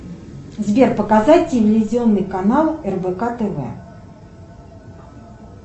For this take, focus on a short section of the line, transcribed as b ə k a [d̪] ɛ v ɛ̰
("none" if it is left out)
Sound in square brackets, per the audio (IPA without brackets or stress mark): t̪